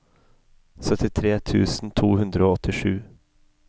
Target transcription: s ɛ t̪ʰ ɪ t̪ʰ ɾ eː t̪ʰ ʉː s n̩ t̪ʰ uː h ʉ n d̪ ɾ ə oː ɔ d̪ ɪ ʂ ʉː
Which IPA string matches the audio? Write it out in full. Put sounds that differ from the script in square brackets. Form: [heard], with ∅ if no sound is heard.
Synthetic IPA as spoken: s [œ] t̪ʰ ɪ t̪ʰ ɾ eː t̪ʰ ʉː s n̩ t̪ʰ uː h ʉ n d̪ ɾ ə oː ɔ [t̪] ɪ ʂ ʉː